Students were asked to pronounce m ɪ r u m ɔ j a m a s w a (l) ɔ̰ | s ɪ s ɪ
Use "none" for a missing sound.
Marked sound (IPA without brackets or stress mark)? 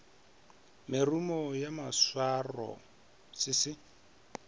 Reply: r